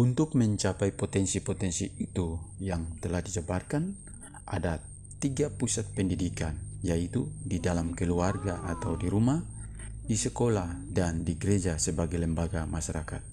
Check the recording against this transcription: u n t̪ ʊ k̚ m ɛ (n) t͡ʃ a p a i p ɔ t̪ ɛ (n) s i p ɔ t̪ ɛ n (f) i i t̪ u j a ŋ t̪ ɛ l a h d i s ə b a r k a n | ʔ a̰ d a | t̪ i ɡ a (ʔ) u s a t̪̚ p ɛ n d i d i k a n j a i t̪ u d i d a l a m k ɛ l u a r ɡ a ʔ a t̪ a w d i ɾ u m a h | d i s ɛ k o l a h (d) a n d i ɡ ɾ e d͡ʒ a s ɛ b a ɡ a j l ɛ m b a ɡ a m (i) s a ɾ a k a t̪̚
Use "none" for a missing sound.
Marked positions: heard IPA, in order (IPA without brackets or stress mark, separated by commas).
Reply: ɲ, n, s, p, d, a